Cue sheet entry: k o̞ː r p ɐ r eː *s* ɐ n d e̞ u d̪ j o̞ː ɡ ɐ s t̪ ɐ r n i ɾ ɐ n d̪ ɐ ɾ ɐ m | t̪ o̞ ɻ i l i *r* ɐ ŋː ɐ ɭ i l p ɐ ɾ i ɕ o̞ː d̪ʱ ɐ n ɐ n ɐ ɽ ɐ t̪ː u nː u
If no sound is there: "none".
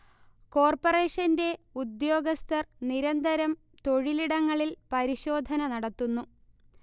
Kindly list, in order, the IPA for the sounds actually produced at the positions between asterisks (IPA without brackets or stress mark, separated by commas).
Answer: ʂ, ɽ